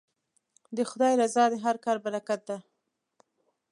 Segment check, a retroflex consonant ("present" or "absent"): absent